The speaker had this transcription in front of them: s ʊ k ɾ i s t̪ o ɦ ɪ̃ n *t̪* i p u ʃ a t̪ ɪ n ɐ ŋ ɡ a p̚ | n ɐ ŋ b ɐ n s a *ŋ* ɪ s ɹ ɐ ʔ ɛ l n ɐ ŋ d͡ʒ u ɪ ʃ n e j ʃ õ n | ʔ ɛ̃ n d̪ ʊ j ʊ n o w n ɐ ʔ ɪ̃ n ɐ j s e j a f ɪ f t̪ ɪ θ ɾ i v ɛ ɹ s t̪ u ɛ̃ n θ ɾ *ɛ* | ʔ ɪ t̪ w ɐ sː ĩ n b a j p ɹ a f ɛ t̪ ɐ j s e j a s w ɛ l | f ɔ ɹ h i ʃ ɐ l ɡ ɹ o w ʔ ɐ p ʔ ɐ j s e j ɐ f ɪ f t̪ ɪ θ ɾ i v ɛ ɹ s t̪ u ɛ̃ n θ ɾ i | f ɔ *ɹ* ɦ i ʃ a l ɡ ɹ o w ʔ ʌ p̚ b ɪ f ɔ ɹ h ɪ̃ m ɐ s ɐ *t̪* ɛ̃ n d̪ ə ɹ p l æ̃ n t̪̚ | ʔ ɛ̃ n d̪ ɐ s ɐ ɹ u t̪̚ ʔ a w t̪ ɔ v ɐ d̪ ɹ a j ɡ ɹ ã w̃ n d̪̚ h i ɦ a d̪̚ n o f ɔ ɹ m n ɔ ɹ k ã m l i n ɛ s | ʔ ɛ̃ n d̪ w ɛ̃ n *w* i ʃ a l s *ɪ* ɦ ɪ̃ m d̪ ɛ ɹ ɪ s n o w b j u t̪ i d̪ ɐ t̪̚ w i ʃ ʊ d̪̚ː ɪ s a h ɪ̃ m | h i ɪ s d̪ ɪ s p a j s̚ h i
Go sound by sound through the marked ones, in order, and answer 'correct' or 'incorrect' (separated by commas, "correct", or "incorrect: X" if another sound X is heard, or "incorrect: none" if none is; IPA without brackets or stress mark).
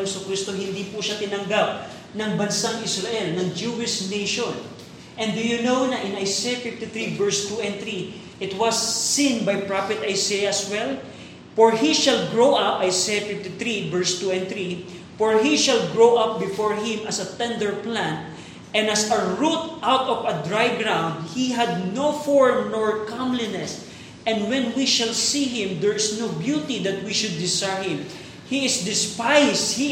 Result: incorrect: d̪, correct, incorrect: i, correct, correct, correct, incorrect: i